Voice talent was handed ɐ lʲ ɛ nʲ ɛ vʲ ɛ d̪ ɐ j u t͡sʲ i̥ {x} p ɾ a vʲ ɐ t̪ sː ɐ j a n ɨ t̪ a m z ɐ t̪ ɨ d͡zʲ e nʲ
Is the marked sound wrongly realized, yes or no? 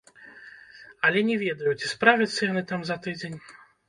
yes